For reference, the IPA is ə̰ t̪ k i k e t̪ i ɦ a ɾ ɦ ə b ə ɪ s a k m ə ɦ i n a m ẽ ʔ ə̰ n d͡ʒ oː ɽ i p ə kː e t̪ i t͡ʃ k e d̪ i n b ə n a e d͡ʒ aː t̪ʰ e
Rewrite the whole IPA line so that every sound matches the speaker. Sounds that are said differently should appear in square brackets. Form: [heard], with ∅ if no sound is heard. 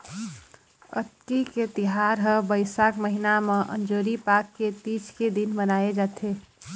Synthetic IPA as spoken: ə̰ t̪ k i k e t̪ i ɦ a ɾ ɦ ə b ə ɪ s a k m ə ɦ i n a m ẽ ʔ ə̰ n d͡ʒ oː [ɾ] i p [a] kː e t̪ i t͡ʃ k e d̪ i n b ə n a e d͡ʒ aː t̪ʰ e